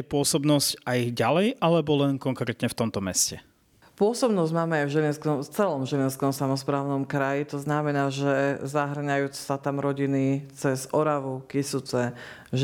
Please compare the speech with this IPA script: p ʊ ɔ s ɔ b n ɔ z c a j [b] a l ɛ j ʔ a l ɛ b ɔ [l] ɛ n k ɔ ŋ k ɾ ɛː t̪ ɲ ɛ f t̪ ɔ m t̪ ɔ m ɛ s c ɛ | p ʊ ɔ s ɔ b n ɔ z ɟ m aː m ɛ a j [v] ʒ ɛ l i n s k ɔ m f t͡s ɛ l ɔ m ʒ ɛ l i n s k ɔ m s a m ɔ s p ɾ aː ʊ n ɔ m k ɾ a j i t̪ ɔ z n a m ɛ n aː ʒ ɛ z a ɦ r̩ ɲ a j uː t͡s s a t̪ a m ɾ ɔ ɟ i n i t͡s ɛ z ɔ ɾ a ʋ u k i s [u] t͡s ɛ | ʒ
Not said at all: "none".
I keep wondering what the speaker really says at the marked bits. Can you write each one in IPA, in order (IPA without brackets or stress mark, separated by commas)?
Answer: ɟ, l, v, u